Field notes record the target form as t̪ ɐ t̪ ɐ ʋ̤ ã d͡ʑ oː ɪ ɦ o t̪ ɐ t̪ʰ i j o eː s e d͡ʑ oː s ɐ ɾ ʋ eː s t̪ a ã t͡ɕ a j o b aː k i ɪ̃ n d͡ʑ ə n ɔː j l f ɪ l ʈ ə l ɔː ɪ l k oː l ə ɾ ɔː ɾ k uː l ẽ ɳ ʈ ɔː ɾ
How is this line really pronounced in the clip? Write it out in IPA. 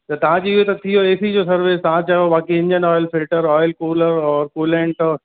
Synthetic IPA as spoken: t̪ ɐ t̪ ɐ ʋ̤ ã d͡ʑ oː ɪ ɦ o t̪ ɐ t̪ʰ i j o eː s i d͡ʑ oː s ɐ ɾ ʋ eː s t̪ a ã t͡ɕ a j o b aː k i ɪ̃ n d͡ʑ ə n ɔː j l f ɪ l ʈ ə ɾ ɔː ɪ l k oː l ə ɾ ɔː ɾ k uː l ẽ ɳ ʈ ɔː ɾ